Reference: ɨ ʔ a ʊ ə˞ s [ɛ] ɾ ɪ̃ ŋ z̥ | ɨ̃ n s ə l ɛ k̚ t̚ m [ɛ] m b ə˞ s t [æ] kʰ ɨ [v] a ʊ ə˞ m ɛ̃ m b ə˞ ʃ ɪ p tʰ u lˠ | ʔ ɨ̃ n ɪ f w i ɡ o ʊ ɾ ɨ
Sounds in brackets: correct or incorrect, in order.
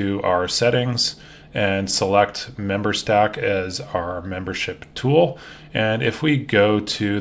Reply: correct, incorrect: ɛ̃, correct, incorrect: z

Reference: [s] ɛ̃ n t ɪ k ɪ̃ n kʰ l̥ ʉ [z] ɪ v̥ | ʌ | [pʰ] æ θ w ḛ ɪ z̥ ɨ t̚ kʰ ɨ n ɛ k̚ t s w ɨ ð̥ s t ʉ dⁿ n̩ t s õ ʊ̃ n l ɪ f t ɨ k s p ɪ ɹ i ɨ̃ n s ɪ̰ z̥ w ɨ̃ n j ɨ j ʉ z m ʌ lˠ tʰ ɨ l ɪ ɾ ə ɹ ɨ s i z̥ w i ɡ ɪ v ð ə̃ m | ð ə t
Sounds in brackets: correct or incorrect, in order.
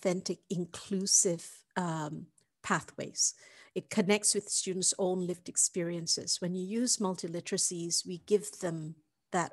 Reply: incorrect: θ, incorrect: s, correct

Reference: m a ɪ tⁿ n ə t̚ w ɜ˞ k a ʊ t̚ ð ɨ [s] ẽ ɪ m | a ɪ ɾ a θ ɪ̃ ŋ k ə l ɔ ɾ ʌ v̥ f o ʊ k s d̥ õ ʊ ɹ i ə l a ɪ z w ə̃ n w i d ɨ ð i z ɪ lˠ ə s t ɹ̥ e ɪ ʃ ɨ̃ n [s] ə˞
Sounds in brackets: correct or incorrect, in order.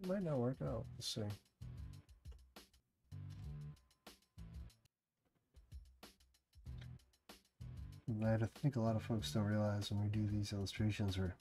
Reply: correct, incorrect: z

